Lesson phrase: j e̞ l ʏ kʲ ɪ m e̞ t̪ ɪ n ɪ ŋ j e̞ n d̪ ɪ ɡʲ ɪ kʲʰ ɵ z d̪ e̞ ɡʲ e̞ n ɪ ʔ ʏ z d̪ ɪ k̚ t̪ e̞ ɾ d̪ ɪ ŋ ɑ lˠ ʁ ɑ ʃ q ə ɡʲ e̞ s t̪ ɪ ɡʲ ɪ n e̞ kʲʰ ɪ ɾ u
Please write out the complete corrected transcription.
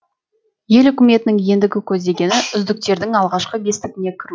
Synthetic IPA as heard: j e̞ l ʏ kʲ ɪ m e̞ t̪ ɪ n ɪ ŋ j e̞ n d̪ ɪ ɡʲ ɪ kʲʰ ɵ z d̪ e̞ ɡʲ e̞ n ɪ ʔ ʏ z d̪ ɪ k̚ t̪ e̞ ɾ d̪ ɪ ŋ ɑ lˠ ʁ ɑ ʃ q ə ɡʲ e̞ s t̪ ɪ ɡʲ ɪ n e̞ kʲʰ ɪ ɾ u